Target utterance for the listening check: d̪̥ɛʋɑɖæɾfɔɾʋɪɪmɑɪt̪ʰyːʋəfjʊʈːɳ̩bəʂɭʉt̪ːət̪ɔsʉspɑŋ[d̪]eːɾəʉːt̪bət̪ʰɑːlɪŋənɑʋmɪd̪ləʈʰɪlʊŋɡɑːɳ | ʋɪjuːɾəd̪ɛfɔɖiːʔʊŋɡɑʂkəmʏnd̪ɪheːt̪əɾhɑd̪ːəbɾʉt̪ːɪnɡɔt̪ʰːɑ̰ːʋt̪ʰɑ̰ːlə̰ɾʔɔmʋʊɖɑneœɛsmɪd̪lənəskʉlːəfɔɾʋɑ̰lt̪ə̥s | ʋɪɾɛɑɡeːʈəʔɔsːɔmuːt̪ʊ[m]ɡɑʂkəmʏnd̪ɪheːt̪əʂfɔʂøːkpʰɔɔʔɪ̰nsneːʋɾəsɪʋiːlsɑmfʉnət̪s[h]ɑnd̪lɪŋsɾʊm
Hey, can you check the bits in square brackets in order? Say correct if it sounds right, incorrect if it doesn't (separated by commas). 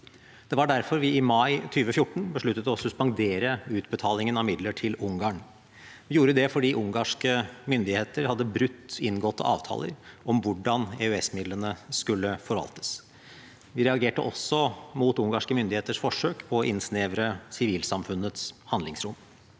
correct, incorrect, correct